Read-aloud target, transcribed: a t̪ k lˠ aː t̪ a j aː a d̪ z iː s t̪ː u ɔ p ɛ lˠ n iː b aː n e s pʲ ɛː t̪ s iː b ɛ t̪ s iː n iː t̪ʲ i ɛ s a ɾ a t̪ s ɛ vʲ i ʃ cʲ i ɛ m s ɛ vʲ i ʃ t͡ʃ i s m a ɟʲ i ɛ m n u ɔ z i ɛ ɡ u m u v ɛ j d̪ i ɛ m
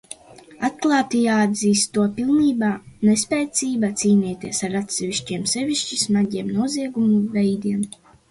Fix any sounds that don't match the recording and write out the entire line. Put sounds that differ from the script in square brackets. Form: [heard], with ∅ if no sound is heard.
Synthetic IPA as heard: a t̪ k lˠ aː t̪ [i] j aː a d̪ z iː s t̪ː u ɔ p [i] lˠ n iː b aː n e s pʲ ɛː t̪ s iː b [a] t̪ s iː n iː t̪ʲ i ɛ s a ɾ a t̪ s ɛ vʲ i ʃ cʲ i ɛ m s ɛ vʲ i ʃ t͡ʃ i s m a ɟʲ i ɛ m n u ɔ z i ɛ ɡ u m u v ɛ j d̪ i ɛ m